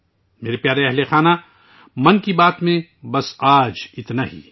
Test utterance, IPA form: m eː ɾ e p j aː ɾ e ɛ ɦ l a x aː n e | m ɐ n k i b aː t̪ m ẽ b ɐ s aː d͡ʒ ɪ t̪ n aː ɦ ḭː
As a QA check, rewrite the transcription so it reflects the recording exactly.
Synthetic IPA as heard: m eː ɾ e p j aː ɾ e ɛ ɦ l e x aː n a | m ɐ n k i b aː t̪ m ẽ b ɐ s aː d͡ʒ ɪ t̪ n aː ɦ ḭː